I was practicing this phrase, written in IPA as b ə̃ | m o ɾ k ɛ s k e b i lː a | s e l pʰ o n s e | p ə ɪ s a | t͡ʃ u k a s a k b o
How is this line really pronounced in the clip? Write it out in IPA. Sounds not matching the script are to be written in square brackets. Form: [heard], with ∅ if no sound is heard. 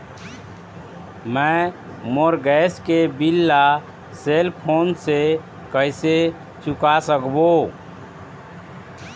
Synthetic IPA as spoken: [m] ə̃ | m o ɾ [ɡ] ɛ s k e b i lː a | s e l pʰ o n s e | [k] ə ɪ s [e] | t͡ʃ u k a s [ə] k b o

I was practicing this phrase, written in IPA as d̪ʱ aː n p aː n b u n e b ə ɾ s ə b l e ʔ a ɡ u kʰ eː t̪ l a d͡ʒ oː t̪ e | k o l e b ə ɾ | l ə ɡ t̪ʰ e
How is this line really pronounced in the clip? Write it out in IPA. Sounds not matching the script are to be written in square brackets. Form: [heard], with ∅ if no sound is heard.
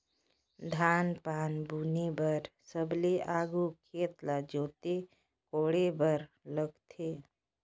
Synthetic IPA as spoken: d̪ʱ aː n p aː n b u n e b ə ɾ s ə b l e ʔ a ɡ u kʰ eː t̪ l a d͡ʒ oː t̪ e | k o [ɽ] e b ə ɾ | l ə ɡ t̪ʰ e

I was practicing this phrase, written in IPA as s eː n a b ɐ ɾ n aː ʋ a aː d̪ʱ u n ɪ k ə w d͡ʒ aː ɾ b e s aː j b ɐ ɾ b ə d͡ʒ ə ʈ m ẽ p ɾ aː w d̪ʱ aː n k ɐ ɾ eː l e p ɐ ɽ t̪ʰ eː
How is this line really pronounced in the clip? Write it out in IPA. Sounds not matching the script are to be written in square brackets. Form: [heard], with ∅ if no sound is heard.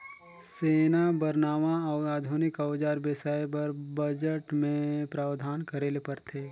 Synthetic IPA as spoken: s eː n a b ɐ ɾ n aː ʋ a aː d̪ʱ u n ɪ k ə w d͡ʒ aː ɾ b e s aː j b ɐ ɾ b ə d͡ʒ ə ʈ m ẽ p ɾ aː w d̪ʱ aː n k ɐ ɾ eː l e p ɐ [ɾ] t̪ʰ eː

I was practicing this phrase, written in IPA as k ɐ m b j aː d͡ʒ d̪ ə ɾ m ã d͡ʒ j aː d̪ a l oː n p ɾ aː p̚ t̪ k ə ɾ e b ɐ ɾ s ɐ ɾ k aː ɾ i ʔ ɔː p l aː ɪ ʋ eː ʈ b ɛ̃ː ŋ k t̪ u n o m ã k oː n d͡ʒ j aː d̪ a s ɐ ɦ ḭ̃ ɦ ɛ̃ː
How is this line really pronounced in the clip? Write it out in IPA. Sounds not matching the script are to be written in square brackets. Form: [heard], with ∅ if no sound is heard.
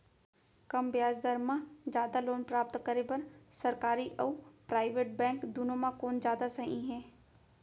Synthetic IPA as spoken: k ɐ m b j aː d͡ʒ d̪ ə ɾ m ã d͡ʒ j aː d̪ a l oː n p ɾ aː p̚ t̪ k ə ɾ e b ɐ ɾ s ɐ ɾ k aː ɾ i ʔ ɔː p [ɾ] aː ɪ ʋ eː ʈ b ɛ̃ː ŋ k [d̪] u n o m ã k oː n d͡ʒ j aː d̪ a s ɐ ɦ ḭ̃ ɦ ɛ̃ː

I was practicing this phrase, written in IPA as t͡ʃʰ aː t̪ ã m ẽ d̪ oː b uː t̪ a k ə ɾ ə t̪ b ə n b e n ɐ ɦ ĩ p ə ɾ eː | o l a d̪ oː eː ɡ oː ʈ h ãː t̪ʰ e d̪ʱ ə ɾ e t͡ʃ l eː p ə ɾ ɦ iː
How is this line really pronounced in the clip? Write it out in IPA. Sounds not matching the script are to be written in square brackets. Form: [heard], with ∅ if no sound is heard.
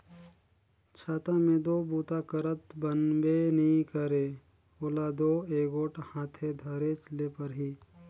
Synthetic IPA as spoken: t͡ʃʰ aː t̪ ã m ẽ d̪ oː b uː t̪ a k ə ɾ ə t̪ b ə n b e n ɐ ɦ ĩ [k] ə ɾ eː | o l a d̪ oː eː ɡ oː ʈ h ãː t̪ʰ e d̪ʱ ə ɾ e t͡ʃ l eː p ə ɾ ɦ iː

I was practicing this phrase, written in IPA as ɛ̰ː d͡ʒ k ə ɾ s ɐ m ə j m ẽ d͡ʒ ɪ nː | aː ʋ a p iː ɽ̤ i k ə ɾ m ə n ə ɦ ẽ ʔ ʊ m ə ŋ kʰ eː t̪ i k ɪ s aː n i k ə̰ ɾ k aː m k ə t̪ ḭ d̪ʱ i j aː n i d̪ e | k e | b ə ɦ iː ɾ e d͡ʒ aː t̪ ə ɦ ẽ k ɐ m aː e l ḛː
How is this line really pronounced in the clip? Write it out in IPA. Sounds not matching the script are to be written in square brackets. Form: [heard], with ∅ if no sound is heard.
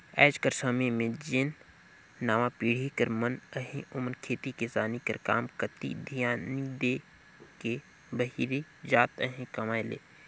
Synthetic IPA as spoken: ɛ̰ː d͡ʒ k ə ɾ s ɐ m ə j m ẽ d͡ʒ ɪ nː | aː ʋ a p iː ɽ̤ i k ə ɾ m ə n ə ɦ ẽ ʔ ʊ m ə [n] kʰ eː t̪ i k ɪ s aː n i k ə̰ ɾ k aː m k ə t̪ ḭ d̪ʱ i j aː n i d̪ e | k e | b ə ɦ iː ɾ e d͡ʒ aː t̪ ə ɦ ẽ k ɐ m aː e l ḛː

